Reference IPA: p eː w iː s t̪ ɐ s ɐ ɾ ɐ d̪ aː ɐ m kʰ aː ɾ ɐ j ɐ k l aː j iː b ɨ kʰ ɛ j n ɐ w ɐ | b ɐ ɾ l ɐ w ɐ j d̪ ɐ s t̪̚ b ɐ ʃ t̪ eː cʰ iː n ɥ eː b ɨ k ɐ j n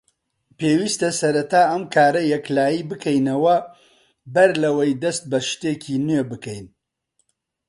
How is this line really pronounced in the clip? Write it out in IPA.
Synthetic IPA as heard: p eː w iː s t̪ ɐ s ɐ ɾ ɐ t̪ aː ɐ m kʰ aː ɾ ɐ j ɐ k l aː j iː b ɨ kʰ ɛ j n ɐ w ɐ | b ɐ ɾ l ɐ w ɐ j d̪ ɐ s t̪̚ b ɐ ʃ t̪ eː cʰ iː n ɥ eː b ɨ k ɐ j n